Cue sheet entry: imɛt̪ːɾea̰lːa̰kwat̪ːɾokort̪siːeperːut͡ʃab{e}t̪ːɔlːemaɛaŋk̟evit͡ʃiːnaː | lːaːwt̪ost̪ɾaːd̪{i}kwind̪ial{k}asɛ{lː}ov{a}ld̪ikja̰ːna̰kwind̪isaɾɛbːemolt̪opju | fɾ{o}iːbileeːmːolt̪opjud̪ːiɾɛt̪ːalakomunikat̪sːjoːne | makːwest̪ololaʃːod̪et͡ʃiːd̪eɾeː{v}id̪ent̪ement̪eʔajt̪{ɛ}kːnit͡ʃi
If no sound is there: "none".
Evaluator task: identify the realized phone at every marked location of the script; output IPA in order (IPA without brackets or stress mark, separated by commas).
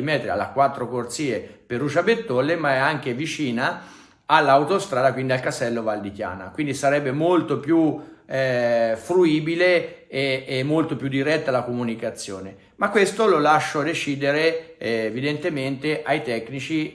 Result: e, a, k, lː, a, u, v, ɛ